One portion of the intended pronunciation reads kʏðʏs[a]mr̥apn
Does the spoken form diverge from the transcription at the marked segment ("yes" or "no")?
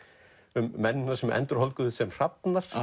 yes